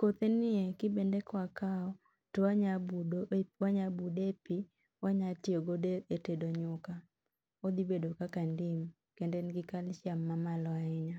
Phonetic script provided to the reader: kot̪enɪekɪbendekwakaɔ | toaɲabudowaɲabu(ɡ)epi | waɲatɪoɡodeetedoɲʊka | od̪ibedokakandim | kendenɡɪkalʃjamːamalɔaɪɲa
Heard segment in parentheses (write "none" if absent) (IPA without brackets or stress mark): d